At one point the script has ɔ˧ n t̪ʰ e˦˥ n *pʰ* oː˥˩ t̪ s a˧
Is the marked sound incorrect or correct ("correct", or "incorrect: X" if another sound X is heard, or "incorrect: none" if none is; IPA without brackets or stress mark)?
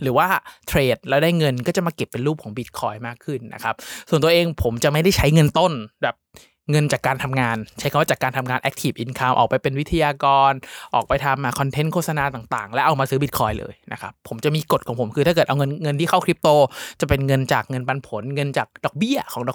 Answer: incorrect: kʰ